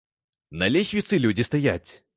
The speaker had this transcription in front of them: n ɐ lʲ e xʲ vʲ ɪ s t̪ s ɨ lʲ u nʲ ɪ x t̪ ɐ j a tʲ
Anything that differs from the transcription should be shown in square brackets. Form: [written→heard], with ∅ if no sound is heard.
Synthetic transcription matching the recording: n ɐ lʲ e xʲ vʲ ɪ [s→∅] t̪ s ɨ lʲ u [nʲ→dʲ] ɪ [x→s] t̪ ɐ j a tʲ